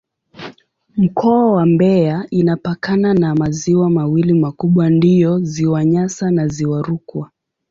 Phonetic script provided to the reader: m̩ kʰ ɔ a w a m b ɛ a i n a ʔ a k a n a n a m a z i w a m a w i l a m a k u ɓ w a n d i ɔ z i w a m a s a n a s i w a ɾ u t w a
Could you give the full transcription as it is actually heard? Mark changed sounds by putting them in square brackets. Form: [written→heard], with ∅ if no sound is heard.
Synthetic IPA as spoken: m̩ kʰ ɔ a w a m b ɛ a i n a [ʔ→p] a k a n a n a m a z i w a m a w i l [a→i] m a k u ɓ w a n d i ɔ z i w a [m→ɲ] a s a n a [s→z] i w a ɾ u [t→k] w a